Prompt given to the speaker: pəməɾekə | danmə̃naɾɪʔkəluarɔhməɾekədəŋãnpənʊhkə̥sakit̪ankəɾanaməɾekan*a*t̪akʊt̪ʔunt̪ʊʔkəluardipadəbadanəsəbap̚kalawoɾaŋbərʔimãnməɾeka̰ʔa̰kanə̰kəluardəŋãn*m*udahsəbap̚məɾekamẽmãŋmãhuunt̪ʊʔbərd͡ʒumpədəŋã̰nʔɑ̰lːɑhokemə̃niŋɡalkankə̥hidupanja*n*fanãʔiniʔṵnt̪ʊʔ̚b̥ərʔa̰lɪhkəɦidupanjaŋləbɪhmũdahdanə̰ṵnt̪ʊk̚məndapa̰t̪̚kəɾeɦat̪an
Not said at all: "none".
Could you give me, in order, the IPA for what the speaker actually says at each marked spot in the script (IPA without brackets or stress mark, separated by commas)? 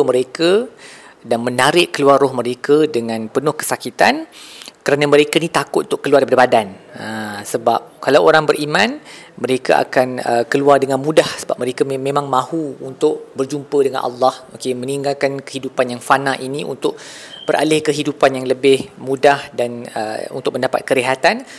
i, m, ŋ